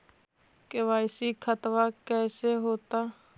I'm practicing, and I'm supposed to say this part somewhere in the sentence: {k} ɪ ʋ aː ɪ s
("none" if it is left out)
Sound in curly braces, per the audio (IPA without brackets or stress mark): k